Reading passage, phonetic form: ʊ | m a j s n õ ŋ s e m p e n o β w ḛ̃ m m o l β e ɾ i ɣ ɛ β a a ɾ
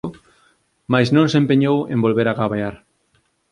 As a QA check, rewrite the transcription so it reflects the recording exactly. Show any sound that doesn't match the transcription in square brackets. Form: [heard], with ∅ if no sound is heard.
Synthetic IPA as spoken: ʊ | m a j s n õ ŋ s e m p e [ɲ] o [∅] w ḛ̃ m [b] o l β e ɾ [a] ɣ [a] β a a ɾ